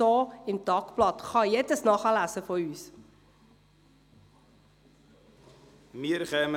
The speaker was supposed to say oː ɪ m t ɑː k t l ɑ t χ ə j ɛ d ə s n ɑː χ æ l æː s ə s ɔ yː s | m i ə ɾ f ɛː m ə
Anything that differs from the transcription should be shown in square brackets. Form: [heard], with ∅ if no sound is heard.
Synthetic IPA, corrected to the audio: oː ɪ m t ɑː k [p] l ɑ t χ [ɑ] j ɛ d ə s n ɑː χ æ l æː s ə [f] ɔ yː s | m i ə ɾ [χ] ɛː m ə